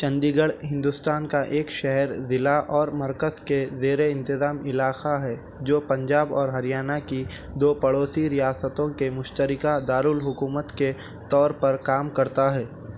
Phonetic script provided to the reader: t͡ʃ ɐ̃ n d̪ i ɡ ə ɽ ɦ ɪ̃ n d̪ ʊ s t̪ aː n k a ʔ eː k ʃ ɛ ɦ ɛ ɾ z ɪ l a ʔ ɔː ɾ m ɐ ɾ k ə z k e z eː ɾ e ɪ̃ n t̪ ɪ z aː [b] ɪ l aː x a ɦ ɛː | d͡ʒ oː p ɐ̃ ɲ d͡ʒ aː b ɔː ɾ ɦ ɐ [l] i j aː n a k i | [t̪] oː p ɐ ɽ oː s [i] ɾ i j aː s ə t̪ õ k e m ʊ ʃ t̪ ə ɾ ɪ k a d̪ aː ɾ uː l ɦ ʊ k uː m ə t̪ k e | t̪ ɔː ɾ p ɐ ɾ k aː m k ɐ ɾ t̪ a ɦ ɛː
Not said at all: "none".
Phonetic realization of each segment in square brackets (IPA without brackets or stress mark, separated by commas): m, ɾ, d̪, i